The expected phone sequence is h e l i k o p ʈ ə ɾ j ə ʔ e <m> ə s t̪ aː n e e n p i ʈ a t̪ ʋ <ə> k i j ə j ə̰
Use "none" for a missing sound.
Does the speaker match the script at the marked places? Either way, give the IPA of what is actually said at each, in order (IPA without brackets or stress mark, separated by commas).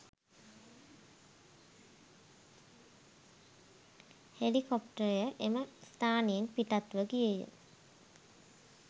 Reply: m, ə